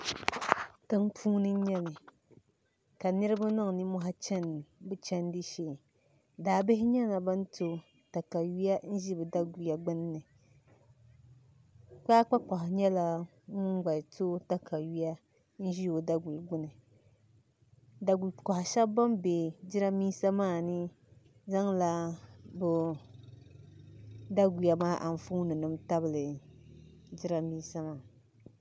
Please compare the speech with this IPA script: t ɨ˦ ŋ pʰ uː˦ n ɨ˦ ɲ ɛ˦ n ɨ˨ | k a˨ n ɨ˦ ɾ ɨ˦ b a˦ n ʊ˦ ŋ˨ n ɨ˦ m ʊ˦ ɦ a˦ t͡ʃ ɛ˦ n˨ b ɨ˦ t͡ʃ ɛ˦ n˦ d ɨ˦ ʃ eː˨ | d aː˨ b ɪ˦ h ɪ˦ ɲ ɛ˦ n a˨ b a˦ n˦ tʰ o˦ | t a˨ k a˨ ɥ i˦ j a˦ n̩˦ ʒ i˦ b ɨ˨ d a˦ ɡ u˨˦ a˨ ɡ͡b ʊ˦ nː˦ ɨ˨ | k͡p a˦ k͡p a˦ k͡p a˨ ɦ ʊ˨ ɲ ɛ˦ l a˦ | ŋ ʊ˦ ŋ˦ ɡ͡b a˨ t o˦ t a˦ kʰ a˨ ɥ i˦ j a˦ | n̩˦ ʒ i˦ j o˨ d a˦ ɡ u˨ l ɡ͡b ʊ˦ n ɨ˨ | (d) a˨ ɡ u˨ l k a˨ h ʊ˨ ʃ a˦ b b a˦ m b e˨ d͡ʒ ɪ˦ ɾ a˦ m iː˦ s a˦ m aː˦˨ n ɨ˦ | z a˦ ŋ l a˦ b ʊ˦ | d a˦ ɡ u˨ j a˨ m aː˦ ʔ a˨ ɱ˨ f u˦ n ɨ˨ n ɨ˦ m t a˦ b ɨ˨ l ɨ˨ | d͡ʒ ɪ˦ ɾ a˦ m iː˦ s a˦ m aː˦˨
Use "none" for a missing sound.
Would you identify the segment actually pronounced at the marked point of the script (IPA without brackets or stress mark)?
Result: d